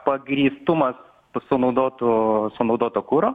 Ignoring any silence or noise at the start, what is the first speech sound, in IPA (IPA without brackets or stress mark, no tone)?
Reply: p